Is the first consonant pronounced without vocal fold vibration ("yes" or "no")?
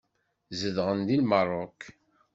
no